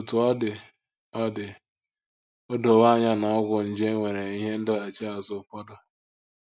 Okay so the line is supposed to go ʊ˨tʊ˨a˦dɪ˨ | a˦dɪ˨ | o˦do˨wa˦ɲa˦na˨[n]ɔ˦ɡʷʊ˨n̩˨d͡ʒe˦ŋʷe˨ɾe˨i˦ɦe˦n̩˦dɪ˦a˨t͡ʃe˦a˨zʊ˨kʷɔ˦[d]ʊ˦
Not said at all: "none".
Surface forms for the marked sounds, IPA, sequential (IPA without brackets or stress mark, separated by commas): none, d